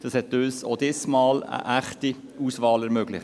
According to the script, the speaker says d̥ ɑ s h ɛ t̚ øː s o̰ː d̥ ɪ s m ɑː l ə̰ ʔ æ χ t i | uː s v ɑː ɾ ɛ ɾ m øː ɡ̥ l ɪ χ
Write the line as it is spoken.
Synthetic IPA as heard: d̥ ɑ s h ɛ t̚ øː s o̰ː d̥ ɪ s m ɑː l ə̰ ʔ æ χ t i | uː s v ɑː l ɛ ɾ m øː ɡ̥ l ɪ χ